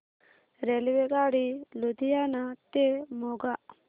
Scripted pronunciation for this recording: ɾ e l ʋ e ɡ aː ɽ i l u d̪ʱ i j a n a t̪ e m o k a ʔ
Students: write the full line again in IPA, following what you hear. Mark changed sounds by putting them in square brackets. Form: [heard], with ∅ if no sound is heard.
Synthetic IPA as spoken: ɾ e l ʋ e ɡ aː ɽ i l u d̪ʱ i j a n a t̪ e m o [ɡ] a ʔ